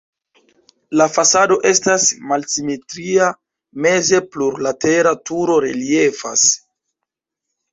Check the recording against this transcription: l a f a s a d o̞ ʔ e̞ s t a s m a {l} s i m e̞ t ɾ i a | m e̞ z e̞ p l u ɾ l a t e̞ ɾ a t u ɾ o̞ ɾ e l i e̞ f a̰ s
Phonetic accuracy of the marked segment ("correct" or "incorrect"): correct